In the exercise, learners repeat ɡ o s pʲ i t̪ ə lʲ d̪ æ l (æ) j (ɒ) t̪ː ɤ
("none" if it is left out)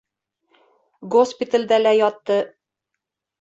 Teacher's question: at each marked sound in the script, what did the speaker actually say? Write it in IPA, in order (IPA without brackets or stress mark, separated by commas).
æ, ɒ